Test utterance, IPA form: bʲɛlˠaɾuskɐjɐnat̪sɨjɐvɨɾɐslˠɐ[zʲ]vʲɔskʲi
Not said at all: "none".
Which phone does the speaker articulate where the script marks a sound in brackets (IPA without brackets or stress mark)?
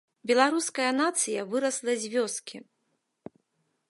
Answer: zʲ